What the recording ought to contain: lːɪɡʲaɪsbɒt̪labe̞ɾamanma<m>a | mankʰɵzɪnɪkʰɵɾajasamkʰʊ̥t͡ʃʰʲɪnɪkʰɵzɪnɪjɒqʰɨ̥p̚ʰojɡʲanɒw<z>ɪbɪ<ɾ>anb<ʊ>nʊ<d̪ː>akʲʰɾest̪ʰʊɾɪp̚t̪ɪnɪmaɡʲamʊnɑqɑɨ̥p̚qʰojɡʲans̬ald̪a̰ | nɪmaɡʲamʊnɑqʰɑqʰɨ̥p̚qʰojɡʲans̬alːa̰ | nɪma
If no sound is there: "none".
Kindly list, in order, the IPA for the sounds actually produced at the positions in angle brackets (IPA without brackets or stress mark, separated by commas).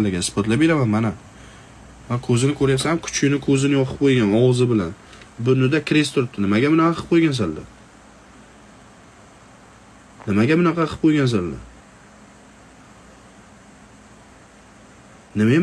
n, z, l, ʊ, d̪